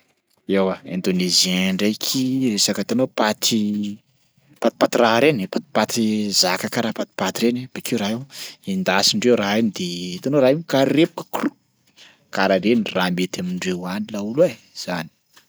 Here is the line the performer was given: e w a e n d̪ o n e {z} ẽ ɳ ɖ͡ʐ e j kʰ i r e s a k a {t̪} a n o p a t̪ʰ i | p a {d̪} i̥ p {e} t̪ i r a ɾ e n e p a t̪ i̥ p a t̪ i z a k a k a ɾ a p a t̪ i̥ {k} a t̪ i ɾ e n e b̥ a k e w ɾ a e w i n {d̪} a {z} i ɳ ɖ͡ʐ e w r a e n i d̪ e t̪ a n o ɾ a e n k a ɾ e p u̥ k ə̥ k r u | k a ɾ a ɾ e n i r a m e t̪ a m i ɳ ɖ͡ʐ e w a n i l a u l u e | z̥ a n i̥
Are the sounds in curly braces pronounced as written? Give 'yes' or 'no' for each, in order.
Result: yes, yes, no, no, no, yes, no

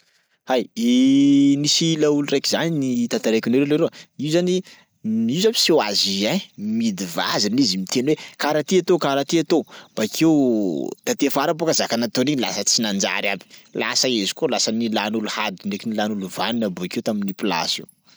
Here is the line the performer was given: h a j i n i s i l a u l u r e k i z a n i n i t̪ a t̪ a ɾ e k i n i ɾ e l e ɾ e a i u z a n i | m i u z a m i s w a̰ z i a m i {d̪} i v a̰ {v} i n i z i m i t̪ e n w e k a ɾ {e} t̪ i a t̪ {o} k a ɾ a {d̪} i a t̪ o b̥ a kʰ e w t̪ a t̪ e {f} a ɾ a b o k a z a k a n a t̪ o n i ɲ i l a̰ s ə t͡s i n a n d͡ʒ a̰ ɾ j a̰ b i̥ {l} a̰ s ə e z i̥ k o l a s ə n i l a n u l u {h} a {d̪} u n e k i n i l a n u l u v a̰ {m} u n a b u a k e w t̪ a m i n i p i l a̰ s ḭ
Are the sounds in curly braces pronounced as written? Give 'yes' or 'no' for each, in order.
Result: yes, no, no, yes, no, yes, yes, yes, yes, no

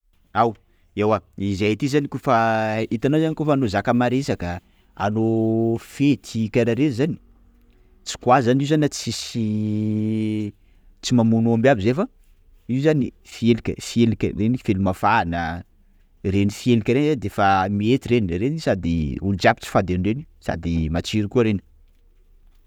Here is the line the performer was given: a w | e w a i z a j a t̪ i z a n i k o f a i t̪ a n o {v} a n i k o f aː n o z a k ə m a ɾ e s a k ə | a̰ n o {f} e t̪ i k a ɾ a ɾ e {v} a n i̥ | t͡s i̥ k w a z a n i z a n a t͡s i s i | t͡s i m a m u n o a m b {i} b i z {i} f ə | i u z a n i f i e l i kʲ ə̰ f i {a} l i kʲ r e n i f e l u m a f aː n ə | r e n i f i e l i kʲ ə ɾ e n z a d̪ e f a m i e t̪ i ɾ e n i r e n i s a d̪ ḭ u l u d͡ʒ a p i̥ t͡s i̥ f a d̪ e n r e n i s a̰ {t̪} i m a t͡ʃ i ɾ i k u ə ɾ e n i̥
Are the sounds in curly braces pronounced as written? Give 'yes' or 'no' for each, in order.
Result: no, yes, no, no, no, no, no

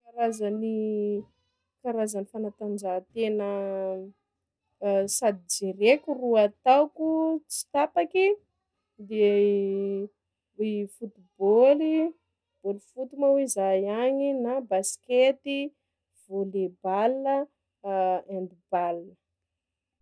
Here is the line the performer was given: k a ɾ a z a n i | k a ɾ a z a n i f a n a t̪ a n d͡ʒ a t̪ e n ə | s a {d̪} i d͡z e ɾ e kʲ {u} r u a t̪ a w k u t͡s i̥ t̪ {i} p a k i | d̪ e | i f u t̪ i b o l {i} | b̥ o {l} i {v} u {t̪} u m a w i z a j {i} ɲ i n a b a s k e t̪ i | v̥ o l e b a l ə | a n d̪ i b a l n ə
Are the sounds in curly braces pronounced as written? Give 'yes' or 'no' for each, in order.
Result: yes, yes, no, yes, yes, no, yes, no

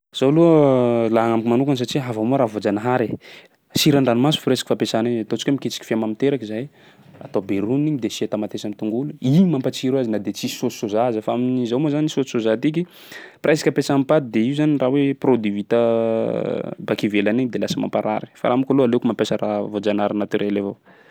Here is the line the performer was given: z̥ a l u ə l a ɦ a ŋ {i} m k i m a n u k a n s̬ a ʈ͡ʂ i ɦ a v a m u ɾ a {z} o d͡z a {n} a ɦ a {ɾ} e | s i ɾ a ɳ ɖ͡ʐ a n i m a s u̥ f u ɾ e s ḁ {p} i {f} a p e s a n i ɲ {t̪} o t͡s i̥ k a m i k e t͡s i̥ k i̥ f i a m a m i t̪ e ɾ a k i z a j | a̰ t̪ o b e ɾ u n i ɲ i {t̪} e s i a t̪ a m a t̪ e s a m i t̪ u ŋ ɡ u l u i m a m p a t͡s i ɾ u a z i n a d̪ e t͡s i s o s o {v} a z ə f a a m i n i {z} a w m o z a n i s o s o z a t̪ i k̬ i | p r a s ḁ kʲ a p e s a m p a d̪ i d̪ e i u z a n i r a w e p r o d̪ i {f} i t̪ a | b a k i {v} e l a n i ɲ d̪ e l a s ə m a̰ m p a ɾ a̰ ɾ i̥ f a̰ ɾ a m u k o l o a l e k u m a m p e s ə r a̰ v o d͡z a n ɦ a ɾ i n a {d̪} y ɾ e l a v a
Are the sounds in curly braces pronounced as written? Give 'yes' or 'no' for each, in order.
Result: no, no, yes, yes, no, yes, yes, no, no, yes, no, yes, no

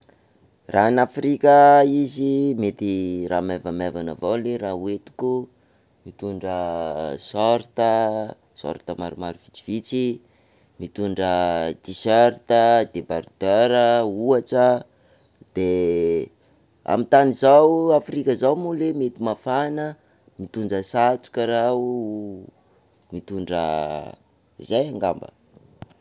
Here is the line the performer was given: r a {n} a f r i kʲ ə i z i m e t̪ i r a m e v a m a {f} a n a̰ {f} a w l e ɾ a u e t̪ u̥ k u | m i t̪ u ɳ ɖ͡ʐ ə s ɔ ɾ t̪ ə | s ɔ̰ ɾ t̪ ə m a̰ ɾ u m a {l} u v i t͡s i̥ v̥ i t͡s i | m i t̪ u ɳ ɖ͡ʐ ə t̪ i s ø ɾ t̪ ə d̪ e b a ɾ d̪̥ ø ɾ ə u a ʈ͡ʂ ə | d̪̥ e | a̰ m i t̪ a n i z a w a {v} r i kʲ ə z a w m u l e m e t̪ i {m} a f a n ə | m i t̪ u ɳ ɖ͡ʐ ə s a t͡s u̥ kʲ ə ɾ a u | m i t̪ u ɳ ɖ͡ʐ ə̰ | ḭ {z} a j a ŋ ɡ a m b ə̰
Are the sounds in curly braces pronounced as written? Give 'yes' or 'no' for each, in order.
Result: yes, no, no, no, no, yes, yes

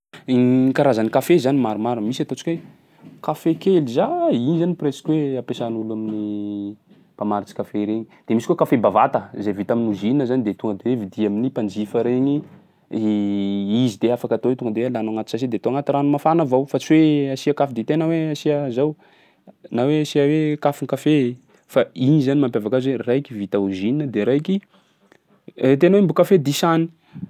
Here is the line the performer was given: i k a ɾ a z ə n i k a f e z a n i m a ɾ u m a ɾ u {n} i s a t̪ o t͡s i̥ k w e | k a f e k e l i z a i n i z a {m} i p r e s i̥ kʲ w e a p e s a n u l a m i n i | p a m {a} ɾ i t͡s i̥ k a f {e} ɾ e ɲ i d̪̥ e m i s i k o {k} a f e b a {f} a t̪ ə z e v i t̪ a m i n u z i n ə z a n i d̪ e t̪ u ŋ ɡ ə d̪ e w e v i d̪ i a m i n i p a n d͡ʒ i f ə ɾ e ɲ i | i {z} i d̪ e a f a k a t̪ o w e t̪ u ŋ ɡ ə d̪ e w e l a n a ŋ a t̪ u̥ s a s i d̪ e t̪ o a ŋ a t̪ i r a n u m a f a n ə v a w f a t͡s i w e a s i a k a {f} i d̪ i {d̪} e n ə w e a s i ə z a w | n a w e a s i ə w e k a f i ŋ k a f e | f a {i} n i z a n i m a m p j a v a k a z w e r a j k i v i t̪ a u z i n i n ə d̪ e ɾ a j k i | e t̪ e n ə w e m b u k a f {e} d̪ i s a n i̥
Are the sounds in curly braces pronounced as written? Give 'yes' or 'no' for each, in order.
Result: no, no, yes, yes, yes, no, yes, yes, no, yes, yes

